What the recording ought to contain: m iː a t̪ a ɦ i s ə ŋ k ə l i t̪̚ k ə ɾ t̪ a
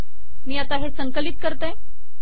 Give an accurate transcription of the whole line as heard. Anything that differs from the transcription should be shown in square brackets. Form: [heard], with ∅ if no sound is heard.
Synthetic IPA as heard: m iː a t̪ a ɦ [e] s ə ŋ k ə l i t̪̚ k ə ɾ t̪ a